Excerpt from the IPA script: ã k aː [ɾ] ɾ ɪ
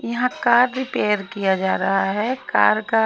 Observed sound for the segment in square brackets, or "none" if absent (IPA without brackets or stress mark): ɾ